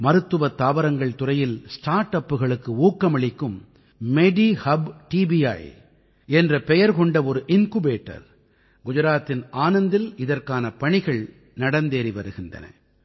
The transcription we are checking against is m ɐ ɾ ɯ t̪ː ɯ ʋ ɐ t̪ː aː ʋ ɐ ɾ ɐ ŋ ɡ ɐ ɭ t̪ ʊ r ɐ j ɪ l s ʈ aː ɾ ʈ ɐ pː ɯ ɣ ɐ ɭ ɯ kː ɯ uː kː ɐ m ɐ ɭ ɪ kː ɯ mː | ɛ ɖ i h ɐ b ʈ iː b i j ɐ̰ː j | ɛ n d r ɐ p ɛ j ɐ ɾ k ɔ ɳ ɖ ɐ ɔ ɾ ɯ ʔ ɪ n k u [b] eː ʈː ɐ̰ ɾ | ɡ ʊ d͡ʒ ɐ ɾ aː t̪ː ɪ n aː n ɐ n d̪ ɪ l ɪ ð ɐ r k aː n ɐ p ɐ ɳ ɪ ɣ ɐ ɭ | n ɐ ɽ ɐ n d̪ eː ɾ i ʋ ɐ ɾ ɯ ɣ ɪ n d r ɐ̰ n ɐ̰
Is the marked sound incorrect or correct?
correct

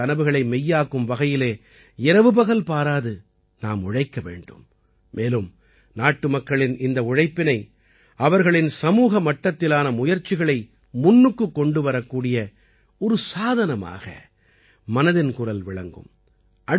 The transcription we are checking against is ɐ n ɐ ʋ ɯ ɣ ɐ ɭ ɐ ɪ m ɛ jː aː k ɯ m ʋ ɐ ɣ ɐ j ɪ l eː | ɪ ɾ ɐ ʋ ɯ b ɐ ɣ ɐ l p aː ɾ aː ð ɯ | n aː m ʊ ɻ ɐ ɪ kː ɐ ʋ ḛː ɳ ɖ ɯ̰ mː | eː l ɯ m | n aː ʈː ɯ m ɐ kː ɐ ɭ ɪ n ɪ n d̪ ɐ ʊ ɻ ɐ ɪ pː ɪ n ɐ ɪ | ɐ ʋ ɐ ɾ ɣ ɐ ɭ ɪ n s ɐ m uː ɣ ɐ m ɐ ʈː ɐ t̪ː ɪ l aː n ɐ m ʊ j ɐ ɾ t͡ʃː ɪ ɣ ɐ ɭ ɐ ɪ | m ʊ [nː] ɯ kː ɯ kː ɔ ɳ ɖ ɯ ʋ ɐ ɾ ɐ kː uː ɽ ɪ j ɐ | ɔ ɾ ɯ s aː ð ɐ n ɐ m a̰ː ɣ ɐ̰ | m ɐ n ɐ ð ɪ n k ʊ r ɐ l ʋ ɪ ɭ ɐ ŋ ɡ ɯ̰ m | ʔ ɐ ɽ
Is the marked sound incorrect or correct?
correct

